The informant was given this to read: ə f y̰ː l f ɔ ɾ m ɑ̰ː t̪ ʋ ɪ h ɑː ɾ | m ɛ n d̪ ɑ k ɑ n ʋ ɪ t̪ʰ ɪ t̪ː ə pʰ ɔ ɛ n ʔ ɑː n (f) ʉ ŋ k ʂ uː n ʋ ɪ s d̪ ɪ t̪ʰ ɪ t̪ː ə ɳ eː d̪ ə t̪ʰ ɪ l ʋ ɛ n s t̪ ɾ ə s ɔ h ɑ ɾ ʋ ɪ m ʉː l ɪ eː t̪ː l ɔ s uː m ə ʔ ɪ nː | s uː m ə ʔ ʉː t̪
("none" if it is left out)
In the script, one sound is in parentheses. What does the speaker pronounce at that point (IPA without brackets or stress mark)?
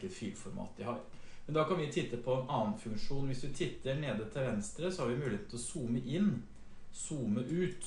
f